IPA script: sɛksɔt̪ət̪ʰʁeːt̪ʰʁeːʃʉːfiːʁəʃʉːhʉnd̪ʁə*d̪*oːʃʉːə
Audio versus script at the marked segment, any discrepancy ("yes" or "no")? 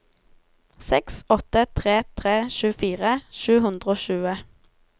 yes